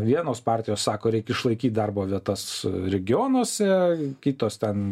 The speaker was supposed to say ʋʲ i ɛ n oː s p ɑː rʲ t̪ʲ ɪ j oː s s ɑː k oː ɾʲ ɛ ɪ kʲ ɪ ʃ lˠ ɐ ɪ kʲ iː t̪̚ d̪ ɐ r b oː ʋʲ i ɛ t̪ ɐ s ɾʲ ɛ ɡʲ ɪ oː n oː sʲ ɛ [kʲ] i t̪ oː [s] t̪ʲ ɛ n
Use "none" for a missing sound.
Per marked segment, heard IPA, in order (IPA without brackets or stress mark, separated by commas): kʲ, s